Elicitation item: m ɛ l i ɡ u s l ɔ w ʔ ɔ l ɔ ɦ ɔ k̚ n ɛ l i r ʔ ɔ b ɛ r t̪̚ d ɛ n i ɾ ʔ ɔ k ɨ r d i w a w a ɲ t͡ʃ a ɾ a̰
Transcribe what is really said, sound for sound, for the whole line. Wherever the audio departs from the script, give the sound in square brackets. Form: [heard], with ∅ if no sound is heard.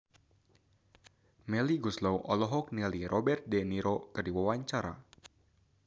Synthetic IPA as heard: m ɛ l i ɡ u s l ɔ w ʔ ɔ l ɔ ɦ ɔ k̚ n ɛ l i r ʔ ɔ b ɛ r t̪̚ d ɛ n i ɾ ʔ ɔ k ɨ r d i w a w a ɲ t͡ʃ a ɾ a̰